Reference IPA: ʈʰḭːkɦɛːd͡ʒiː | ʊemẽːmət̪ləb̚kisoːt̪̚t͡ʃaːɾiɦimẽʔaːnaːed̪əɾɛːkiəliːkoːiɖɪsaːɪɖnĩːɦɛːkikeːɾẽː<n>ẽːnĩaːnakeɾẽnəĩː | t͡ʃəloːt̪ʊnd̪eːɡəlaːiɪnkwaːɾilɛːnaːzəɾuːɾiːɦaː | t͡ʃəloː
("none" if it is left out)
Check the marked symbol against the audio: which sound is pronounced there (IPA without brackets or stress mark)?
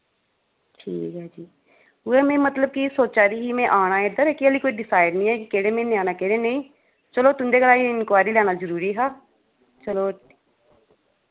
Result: m